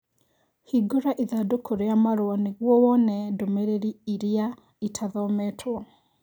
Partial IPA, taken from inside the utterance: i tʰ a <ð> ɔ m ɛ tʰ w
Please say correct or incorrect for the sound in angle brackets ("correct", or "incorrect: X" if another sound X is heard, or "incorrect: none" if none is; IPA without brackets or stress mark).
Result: correct